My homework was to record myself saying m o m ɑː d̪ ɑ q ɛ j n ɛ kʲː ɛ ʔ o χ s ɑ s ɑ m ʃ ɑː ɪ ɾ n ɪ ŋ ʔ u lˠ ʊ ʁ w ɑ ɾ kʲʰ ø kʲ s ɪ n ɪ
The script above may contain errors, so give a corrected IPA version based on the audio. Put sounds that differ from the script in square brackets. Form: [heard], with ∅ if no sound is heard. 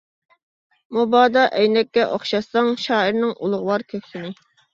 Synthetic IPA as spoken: m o [b] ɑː d̪ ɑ [ʔ] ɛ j n ɛ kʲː ɛ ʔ o χ [ʃ] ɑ s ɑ [ŋ] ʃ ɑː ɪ ɾ n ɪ ŋ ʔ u lˠ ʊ ʁ w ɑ ɾ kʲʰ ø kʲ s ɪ n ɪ

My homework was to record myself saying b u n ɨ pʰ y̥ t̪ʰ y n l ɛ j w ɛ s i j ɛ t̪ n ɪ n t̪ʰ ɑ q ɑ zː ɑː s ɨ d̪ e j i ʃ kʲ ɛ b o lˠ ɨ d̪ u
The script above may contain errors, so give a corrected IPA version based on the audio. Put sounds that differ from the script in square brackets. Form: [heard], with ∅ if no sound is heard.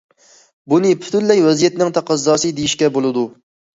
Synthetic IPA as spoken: b u n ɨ pʰ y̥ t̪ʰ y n l ɛ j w ɛ [z] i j ɛ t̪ n ɪ [ŋ] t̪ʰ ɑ q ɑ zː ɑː s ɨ d̪ e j i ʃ kʲ ɛ b o lˠ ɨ d̪ u

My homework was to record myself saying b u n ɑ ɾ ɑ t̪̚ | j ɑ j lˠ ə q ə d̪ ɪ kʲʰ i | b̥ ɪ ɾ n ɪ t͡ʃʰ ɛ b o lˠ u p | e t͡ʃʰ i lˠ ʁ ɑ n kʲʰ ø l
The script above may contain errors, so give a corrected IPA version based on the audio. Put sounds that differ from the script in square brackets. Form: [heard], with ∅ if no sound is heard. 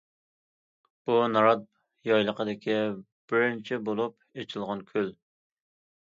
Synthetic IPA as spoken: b u n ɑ ɾ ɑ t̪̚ | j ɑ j lˠ ə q ə d̪ ɪ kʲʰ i | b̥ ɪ ɾ n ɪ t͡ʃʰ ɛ b o lˠ u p | e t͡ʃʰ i lˠ ʁ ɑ n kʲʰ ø l

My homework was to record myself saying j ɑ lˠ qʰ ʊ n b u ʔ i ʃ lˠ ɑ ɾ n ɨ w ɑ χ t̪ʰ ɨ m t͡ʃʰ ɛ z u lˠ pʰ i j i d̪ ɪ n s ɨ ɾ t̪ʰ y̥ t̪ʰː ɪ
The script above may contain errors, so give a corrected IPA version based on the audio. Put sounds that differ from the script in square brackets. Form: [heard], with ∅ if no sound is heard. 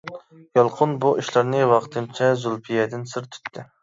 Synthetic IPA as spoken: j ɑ lˠ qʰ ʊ n b u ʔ i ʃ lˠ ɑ ɾ n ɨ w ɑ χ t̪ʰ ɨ m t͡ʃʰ ɛ z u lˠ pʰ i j [ɛ] d̪ ɪ n s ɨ ɾ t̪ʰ y̥ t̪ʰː ɪ

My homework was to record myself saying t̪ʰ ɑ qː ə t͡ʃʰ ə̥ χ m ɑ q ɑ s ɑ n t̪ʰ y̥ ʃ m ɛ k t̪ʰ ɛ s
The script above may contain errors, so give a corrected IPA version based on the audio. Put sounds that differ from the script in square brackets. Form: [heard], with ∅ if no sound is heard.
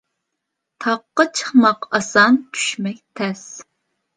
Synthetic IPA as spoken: t̪ʰ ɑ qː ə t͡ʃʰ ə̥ χ m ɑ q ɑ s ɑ n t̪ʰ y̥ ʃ m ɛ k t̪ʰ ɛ s

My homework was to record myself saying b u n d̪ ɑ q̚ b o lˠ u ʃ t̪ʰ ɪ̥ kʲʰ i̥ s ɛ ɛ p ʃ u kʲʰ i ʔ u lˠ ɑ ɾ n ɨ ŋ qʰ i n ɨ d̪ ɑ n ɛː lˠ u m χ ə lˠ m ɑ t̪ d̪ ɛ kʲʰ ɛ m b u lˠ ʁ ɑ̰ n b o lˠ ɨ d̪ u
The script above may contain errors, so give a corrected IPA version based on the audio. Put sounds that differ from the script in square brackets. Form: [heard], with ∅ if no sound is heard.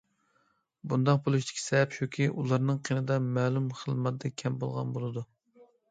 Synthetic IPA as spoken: b u n d̪ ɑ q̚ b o lˠ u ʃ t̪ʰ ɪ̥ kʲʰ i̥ s ɛ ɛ p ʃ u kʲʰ i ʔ u lˠ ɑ ɾ n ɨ ŋ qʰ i n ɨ d̪ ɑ [m] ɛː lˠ u m χ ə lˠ m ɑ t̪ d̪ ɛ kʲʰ ɛ m b [o] lˠ ʁ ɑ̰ n b o lˠ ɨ d̪ u

